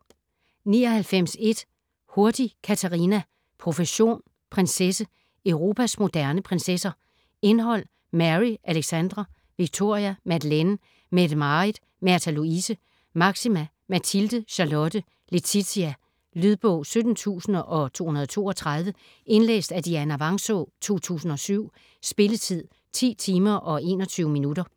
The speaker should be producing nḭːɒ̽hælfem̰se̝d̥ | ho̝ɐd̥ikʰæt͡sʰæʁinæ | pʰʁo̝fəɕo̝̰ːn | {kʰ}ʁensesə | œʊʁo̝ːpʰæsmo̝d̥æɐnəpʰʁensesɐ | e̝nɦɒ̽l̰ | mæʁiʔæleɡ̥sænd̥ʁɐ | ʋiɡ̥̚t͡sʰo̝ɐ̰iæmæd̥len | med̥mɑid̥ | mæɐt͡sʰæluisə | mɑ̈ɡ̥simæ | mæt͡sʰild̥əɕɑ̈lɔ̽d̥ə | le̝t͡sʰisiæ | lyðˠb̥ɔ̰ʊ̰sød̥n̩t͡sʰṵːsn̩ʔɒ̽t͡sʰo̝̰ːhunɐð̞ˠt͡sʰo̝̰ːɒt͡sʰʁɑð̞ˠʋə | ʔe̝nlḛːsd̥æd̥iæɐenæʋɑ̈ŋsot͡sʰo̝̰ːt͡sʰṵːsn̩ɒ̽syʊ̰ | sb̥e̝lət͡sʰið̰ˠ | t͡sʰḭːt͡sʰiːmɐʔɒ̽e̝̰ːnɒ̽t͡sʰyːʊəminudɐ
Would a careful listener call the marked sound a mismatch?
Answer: yes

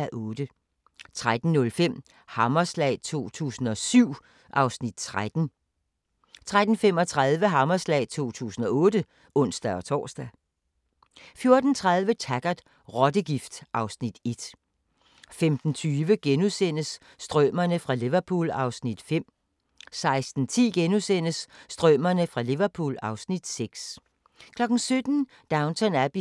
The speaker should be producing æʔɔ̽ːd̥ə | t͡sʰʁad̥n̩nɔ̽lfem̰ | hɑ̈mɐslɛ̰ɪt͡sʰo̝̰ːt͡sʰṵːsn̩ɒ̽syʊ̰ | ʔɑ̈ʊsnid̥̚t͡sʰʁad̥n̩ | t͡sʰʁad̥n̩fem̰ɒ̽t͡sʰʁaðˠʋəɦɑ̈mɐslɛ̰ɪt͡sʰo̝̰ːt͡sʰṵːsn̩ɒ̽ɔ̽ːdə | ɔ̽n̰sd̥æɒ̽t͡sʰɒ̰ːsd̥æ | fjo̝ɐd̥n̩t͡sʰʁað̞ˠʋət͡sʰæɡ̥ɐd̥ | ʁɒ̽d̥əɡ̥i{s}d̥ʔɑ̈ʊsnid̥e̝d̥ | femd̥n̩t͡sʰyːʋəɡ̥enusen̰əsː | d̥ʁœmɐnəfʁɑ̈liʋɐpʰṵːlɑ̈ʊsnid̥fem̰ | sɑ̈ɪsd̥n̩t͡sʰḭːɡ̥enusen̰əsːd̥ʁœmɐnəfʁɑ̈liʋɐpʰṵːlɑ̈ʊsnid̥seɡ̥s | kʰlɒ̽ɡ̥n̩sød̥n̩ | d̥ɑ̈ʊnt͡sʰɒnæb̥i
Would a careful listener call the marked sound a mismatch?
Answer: yes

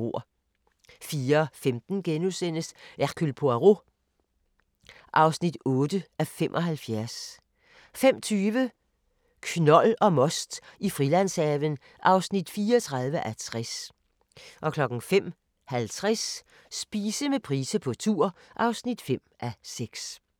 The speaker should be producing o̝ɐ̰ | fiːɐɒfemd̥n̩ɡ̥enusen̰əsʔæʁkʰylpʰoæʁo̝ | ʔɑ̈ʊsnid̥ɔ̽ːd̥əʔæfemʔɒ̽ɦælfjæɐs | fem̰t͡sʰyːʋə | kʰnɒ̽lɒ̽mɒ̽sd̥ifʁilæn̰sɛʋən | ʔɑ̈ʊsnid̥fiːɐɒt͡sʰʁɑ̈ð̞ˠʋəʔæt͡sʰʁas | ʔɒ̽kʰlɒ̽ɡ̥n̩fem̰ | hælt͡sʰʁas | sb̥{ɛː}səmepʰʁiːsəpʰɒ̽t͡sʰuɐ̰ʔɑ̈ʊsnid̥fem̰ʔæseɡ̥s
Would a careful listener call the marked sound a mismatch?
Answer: yes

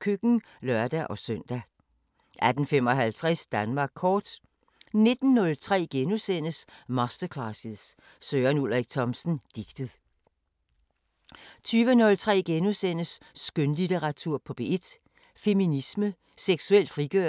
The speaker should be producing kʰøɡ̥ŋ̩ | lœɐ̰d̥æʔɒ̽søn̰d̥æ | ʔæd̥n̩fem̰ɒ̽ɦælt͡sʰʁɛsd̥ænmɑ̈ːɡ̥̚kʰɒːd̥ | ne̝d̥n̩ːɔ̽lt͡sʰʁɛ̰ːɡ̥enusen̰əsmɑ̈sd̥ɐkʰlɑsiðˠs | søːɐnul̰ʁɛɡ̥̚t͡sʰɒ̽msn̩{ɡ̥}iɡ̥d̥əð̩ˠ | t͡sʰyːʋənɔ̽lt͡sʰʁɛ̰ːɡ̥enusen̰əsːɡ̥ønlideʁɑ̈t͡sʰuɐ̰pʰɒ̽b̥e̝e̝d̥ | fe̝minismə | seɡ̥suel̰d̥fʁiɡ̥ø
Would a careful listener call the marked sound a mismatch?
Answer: yes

